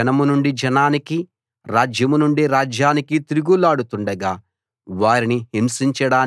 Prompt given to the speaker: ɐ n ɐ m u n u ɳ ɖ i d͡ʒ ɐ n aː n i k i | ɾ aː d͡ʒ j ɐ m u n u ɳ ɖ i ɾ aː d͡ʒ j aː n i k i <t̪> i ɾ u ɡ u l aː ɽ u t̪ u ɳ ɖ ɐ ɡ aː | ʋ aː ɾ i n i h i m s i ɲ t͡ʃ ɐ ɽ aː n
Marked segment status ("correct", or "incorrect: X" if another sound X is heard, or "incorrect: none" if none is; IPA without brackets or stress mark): correct